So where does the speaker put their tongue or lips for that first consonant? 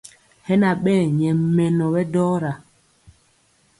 throat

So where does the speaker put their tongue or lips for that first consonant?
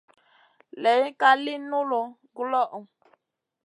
tongue tip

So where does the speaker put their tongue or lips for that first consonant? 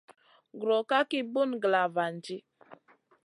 velum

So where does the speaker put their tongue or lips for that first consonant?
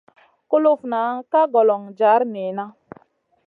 velum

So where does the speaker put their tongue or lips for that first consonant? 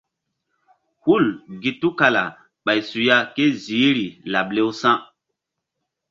throat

